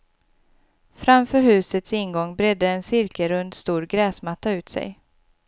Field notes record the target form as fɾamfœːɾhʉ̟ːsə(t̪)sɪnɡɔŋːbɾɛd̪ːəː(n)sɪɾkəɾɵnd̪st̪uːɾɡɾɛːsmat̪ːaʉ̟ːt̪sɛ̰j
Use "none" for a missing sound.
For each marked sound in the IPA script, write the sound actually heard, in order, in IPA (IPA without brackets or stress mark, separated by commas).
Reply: t̪, n